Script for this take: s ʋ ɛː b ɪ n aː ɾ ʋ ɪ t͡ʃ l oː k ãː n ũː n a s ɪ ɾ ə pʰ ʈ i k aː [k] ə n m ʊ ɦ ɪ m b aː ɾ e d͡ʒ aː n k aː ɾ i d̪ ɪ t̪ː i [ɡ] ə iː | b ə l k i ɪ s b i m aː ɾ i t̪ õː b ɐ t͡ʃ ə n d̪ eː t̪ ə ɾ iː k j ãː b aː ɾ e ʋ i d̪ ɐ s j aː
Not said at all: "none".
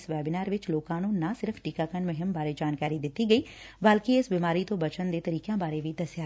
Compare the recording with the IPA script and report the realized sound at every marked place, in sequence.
k, ɡ

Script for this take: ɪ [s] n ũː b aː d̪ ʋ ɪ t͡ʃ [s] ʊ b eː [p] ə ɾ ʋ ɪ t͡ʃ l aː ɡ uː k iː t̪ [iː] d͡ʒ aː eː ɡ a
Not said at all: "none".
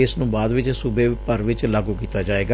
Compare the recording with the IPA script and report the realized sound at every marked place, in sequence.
s, s, p, aː

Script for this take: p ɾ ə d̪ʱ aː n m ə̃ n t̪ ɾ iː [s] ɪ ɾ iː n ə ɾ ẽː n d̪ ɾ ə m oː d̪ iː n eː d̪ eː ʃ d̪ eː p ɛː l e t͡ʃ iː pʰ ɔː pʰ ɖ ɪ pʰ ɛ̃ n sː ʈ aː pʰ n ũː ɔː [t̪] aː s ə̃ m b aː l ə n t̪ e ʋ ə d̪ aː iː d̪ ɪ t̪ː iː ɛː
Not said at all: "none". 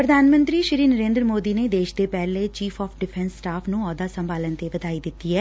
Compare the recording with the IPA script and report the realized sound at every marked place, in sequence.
ʃ, d̪

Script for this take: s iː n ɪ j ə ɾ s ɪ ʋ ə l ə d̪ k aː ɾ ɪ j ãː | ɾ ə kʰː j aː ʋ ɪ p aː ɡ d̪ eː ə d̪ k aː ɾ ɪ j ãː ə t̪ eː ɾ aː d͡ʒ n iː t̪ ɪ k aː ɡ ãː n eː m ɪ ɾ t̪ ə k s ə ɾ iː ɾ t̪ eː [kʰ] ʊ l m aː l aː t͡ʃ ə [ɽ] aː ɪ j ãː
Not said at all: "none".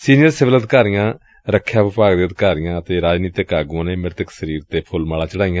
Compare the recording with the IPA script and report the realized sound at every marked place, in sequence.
pʰ, ɽ

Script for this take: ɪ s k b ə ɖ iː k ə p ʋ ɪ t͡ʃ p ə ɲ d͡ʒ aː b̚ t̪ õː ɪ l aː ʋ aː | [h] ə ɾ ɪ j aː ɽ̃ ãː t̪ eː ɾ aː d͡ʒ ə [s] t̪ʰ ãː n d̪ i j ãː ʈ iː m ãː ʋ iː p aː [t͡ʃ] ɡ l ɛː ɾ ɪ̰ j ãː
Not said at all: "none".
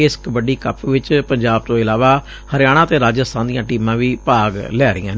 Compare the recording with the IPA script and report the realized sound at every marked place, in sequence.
h, s, none

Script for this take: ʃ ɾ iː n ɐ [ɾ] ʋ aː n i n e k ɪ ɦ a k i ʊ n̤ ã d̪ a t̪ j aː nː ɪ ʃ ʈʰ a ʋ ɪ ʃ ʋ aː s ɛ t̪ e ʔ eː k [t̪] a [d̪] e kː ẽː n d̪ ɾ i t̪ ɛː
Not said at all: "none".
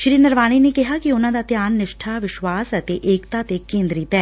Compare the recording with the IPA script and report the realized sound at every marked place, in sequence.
ɾ, t̪, t̪

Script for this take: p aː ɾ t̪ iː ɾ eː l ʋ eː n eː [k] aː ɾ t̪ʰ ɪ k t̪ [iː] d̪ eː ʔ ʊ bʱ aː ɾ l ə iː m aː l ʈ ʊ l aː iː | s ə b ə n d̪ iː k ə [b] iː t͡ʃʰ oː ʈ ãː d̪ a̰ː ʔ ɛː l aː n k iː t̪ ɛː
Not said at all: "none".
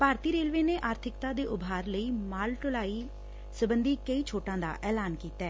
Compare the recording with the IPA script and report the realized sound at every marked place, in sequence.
ʔ, aː, none

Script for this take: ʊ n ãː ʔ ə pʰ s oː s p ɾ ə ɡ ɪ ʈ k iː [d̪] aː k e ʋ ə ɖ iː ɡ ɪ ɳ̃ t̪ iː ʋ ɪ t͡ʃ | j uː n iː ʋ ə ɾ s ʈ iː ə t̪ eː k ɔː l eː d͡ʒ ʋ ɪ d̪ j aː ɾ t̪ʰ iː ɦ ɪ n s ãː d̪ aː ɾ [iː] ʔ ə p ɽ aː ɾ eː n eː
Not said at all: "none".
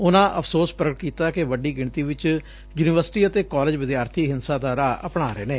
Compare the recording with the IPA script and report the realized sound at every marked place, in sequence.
t̪, aː

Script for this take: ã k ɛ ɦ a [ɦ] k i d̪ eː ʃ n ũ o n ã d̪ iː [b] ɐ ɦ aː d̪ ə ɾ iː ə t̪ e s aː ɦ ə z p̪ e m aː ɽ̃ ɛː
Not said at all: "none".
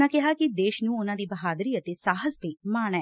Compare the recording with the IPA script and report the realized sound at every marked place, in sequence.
none, b

